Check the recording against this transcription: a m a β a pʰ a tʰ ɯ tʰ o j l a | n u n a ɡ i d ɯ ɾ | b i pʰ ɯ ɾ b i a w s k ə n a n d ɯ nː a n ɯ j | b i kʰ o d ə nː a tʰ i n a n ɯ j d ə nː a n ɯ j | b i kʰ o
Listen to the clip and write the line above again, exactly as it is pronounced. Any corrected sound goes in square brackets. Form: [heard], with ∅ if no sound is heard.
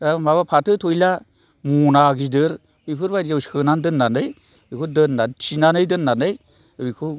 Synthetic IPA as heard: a m a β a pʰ a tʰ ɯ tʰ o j l a | [m] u n a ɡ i d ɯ ɾ | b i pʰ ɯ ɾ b [a] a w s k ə n a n d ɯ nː a n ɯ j | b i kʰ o d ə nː a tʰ i n a n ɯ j d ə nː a n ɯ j | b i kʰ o

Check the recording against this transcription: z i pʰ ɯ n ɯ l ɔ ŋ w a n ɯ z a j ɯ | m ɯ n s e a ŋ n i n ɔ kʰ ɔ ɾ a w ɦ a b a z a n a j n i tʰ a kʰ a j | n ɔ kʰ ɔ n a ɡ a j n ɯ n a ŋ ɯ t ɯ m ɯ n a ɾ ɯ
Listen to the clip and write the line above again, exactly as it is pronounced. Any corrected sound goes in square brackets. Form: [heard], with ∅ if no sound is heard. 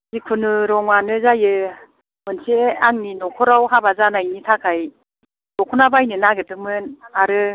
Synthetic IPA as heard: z i [kʰ] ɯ n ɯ [ɾ] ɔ ŋ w a n ɯ z a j ɯ | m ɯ n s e a ŋ n i n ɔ kʰ ɔ ɾ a w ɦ a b a z a n a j n i tʰ a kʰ a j | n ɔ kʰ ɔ n a [b] a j n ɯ n a [ɡ] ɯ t ɯ m ɯ n a ɾ ɯ

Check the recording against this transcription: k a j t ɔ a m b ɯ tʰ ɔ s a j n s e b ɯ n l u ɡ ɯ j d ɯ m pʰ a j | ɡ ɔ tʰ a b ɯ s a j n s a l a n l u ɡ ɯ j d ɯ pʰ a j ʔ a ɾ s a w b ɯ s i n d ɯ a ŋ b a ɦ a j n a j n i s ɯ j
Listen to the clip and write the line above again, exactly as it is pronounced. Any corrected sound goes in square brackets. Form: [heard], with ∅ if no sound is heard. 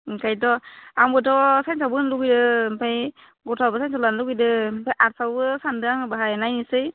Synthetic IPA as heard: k a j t ɔ a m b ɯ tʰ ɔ s a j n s [a] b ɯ n l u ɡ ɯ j d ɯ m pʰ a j | ɡ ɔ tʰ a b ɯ s a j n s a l a n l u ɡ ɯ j d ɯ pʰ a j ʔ a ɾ s a w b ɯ s [a] n d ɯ a ŋ b a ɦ a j n a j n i s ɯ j

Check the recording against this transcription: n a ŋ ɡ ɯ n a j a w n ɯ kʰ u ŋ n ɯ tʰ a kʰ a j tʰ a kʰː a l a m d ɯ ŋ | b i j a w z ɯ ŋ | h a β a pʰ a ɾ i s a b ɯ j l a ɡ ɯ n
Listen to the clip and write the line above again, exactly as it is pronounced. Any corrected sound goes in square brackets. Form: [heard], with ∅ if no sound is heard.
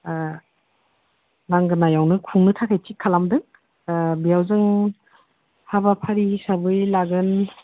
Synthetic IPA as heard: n a ŋ ɡ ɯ n a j a w n ɯ kʰ u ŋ n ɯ tʰ a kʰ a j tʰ [i] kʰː a l a m d ɯ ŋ | b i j a w z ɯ ŋ | h a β a pʰ a ɾ i s a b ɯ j l a ɡ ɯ n

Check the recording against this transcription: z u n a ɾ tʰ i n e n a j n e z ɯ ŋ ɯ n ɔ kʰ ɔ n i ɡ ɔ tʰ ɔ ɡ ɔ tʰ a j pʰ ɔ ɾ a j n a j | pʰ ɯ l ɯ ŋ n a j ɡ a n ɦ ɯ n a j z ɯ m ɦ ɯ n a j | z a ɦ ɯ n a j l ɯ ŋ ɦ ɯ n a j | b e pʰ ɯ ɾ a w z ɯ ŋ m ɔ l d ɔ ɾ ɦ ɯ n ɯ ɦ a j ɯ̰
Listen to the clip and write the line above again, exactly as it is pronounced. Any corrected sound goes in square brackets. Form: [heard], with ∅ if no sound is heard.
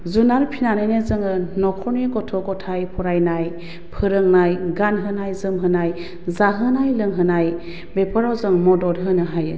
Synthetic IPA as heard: z u n a ɾ [pʰ] i n [a] n a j n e z ɯ ŋ ɯ n ɔ kʰ ɔ n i ɡ ɔ tʰ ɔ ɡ ɔ tʰ a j pʰ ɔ ɾ a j n a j | pʰ ɯ [ɾ] ɯ ŋ n a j ɡ a n ɦ ɯ n a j z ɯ m ɦ ɯ n a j | z a ɦ ɯ n a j l ɯ ŋ ɦ ɯ n a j | b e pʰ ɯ ɾ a w z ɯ ŋ m ɔ [∅] d ɔ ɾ ɦ ɯ n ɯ ɦ a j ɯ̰

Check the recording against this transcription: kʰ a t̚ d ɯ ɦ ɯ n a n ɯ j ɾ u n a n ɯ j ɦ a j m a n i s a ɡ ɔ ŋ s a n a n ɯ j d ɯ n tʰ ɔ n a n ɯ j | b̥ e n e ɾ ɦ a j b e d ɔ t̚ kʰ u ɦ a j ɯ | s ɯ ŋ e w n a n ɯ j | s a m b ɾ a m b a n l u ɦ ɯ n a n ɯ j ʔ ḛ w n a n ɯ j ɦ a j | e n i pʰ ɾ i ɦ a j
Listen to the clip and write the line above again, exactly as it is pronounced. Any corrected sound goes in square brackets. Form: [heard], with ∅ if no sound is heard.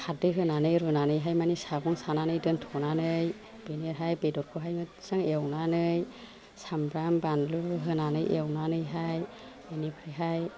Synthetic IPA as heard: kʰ a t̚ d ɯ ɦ ɯ n a n ɯ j ɾ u n a n ɯ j ɦ a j m a n i s a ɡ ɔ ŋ s a n a n ɯ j d ɯ n tʰ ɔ n a n ɯ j | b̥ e n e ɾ ɦ a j b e d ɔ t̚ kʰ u ɦ a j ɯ | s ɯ ŋ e w n a n ɯ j | s a m b ɾ a m b a n l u ɦ ɯ n a n ɯ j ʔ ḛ w n a n ɯ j ɦ a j | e n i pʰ ɾ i ɦ a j

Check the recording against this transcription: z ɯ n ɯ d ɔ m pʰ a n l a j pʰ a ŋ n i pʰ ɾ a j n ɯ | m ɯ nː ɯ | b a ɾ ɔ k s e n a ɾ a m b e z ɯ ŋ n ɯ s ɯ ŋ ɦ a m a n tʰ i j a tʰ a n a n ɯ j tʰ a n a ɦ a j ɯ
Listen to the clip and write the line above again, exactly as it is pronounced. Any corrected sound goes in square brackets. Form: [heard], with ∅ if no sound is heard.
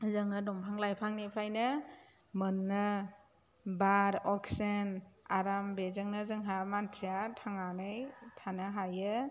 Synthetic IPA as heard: z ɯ [ŋ] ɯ d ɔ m pʰ a [ŋ] l a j pʰ a ŋ n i pʰ ɾ a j n ɯ | m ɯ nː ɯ | b a ɾ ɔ k s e n a ɾ a m b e z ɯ ŋ n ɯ [z] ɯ ŋ ɦ a m a n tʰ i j a tʰ a [ŋ] a n ɯ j tʰ a n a ɦ a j ɯ

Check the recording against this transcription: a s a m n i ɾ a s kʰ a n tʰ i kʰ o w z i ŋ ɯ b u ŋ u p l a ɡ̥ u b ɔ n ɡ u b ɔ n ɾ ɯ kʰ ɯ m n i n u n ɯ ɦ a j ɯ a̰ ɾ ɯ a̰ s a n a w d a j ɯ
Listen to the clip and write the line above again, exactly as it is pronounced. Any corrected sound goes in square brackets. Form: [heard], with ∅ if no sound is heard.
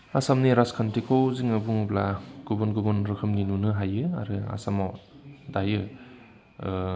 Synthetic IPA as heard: a s a m n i ɾ a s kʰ a n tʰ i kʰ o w z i ŋ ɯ b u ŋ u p l a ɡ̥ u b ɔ n ɡ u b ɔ n ɾ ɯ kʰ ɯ m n i n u n ɯ ɦ a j ɯ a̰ ɾ ɯ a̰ s a [m] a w d a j ɯ

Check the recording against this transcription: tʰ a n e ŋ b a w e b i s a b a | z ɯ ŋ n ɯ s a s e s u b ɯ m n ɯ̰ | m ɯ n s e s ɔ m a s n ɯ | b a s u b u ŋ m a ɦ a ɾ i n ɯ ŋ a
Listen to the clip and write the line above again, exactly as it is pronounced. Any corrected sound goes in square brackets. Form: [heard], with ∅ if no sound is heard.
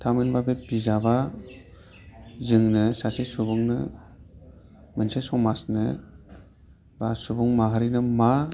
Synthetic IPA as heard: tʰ a [m] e [n] b a [b] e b i [z] a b a | z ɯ ŋ n ɯ s a s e s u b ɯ [ŋ] n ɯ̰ | m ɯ n s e s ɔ m a s n ɯ | b a s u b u ŋ m a ɦ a ɾ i n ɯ [m] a

